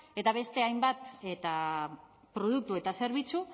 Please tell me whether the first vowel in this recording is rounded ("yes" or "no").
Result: no